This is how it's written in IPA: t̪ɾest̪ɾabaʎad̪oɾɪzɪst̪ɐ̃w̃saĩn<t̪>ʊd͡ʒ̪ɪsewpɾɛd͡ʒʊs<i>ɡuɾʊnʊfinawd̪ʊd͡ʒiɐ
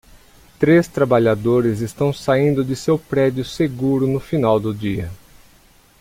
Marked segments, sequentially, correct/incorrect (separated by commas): incorrect, incorrect